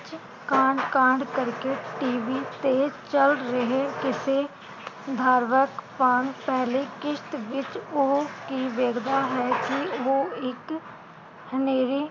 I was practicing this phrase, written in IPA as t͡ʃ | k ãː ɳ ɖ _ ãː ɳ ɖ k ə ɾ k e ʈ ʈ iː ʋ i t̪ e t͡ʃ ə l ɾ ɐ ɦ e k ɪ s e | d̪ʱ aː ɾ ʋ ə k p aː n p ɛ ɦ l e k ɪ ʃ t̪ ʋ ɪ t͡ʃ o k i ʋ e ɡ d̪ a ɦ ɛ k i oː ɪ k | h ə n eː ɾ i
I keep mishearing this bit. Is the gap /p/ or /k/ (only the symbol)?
k